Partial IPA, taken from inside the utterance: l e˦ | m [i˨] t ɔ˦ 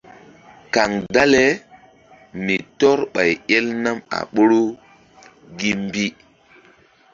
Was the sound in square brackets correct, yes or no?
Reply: yes